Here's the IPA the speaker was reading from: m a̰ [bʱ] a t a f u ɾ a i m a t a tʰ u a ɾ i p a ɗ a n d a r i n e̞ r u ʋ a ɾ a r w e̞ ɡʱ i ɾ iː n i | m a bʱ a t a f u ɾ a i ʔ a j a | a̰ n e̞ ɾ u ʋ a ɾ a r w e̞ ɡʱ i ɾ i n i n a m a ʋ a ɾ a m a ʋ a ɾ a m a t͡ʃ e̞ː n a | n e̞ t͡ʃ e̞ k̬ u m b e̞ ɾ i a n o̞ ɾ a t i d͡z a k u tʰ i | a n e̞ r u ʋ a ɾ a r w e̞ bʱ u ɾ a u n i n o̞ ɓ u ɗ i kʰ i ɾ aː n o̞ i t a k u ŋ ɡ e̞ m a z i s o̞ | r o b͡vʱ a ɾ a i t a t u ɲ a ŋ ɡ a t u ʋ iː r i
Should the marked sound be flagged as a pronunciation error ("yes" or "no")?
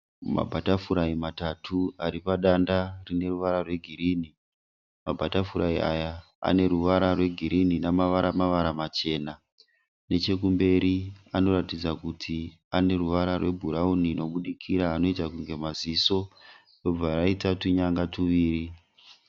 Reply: no